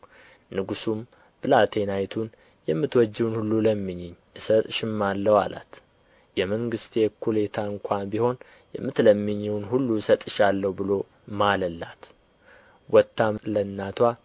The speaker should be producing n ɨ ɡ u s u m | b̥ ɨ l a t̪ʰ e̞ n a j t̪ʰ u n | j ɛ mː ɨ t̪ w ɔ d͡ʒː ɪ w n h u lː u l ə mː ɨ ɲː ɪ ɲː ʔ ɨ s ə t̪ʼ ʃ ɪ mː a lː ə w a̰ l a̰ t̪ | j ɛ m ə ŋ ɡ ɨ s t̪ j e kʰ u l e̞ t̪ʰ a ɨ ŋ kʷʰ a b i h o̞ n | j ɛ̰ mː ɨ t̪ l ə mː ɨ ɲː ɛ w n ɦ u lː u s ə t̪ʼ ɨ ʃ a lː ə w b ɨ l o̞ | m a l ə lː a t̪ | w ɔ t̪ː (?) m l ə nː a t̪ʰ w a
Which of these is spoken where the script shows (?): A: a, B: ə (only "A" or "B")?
A